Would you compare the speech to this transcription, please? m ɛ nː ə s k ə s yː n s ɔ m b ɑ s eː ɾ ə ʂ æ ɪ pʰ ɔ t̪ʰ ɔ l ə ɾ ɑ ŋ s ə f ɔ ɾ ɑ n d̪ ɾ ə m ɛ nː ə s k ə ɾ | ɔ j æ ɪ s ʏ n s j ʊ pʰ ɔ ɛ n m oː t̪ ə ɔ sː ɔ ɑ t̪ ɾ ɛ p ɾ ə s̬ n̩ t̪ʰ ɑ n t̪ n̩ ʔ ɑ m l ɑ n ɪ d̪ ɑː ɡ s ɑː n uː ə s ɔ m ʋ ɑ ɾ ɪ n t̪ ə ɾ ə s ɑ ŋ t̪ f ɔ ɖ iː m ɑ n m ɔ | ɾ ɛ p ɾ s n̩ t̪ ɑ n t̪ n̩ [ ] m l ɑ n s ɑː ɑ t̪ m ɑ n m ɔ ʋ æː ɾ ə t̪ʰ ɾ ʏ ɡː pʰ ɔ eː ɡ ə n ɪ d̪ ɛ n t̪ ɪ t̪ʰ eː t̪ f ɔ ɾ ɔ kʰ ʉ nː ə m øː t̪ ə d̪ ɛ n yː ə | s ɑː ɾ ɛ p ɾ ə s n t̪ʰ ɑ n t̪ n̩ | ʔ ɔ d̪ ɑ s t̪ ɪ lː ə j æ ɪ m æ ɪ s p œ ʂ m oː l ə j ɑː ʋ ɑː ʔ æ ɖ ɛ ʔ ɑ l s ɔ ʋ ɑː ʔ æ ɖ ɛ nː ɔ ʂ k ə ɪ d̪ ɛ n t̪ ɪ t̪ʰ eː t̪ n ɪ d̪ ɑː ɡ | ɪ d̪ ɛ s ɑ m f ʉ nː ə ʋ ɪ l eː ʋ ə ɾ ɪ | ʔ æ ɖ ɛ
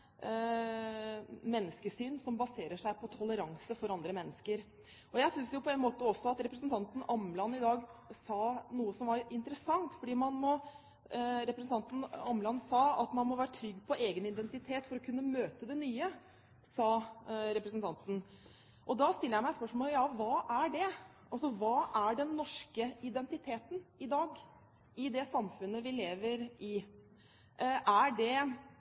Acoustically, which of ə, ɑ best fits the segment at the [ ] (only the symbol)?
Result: ɑ